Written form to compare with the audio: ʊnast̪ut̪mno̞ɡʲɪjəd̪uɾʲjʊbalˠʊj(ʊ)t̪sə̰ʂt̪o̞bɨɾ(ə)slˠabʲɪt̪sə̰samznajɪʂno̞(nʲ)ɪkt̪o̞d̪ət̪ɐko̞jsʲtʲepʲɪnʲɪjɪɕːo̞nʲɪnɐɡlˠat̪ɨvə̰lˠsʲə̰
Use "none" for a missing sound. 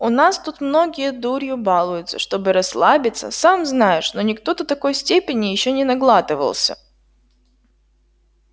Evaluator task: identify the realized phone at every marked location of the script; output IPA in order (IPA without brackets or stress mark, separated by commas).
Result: ʊ, ɐ, nʲ